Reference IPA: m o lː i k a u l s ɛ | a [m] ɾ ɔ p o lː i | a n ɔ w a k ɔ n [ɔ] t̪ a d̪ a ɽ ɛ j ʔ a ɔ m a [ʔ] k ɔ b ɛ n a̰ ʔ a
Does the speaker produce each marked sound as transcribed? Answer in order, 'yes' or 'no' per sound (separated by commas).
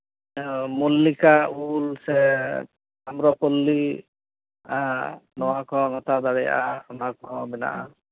yes, yes, no